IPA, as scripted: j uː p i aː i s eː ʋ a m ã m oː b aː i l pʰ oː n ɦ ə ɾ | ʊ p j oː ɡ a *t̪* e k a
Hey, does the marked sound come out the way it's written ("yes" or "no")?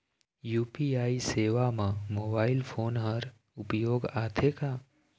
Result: no